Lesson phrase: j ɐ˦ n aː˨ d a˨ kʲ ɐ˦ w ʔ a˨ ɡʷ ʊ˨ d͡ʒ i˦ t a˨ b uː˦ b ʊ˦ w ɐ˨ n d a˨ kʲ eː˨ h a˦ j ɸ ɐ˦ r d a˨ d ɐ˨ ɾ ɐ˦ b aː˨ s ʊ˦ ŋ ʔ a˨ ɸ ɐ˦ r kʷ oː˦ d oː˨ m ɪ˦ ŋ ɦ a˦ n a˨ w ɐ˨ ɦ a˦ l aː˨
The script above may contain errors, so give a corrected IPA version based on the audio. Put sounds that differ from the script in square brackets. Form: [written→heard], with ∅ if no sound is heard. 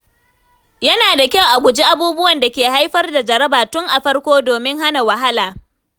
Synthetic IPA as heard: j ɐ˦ n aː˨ d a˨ kʲ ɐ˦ w ʔ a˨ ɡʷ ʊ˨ d͡ʒ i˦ [t→ʔ] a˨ b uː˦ b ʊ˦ w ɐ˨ n d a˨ kʲ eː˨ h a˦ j ɸ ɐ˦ r d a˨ [d→d͡ʒ] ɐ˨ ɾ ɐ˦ b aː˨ [s→t] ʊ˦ ŋ ʔ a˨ ɸ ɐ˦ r kʷ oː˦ d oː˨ m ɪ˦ ŋ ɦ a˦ n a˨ w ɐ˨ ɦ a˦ l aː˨